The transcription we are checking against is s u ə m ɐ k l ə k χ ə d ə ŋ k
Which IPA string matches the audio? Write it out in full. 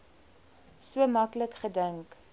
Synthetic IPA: s u ə m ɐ k l ə k χ ə d ə ŋ k

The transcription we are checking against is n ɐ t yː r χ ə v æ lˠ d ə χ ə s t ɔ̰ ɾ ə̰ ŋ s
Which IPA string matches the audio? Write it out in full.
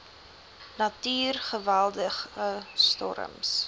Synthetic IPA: n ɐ t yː r χ ə v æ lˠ d ə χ ə s t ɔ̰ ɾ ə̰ m s

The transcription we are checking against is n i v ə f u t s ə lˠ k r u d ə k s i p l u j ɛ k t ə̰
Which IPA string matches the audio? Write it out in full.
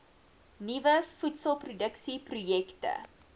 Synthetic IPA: n i v ə f u t s ə lˠ p r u d ə k s i p r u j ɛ k t ə̰

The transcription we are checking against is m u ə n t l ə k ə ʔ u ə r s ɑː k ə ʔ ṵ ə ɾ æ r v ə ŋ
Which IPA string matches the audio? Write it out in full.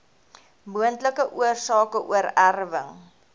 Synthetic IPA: m u ə n t l ə k ə ʔ u ə r s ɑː k ə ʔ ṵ ə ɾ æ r v ə ŋ

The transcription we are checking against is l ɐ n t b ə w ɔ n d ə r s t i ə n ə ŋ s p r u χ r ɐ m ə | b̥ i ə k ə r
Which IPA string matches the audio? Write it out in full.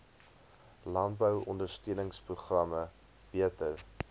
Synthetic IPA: l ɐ n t b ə w ɔ n d ə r s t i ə n ə ŋ s p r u χ r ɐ m ə | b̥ i ə t ə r

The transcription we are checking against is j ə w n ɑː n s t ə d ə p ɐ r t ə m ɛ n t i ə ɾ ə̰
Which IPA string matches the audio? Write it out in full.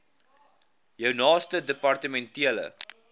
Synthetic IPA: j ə w n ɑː s t ə d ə p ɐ r t ə m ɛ n t i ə l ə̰

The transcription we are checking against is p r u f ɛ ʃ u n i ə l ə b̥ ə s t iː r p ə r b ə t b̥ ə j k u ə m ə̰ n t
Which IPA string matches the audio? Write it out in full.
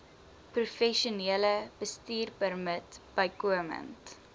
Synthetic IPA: p r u f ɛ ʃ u n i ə l ə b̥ ə s t iː r p ə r m ə t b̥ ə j k u ə m ə̰ n t

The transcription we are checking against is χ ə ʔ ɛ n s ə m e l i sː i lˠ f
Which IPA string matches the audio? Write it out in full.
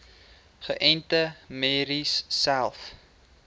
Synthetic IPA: χ ə ʔ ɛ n t ə m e ɾ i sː æ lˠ f

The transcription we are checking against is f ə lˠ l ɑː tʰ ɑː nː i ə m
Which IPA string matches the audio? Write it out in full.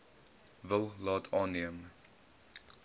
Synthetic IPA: v ə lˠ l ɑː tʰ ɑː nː i ə m

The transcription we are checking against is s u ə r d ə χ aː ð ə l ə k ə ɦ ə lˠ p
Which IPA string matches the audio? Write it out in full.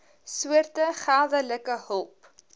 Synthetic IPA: s u ə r t ə χ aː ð ə l ə k ə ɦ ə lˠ p

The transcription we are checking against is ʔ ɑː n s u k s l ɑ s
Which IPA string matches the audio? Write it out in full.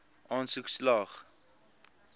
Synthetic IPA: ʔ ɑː n s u k s l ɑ χ

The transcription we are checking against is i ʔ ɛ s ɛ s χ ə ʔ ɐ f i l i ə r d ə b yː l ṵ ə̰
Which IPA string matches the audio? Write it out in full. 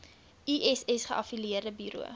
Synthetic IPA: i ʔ ɛ s ɛ s χ ə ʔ ɐ f i l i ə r d ə b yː ɾ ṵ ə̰

